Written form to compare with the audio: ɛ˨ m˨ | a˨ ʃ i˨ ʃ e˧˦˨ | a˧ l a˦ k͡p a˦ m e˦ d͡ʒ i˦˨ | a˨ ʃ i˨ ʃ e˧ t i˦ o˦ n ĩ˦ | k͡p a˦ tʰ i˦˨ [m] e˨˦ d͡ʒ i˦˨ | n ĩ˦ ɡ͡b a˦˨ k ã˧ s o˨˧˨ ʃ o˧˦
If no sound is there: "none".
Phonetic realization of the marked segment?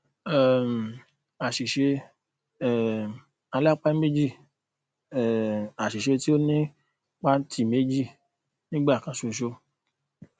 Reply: m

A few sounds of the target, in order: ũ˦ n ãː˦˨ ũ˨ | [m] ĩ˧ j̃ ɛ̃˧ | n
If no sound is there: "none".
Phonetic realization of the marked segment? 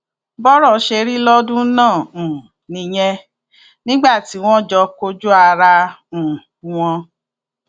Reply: n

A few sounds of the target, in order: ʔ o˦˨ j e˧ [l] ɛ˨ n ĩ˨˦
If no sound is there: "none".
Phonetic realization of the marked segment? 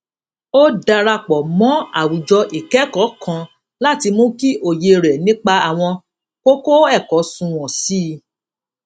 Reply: ɾ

